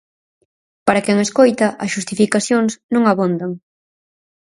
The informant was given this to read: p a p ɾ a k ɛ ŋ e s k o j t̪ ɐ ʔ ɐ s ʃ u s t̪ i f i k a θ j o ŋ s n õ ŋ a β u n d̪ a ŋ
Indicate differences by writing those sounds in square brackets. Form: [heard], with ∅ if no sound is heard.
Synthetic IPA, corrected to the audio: p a [∅] ɾ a k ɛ ŋ e s k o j t̪ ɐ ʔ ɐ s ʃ u s t̪ i f i k a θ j o ŋ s n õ ŋ a β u n d̪ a ŋ